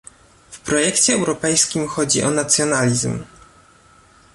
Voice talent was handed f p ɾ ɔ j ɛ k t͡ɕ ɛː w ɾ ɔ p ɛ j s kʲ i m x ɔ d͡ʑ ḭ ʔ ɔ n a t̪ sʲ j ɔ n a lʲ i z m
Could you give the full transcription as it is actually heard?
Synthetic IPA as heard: f p ɾ ɔ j ɛ k t͡ɕ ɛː w ɾ ɔ p ɛ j s kʲ i m x ɔ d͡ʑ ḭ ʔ ɔ n a t̪ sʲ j ɔ n a lʲ i z m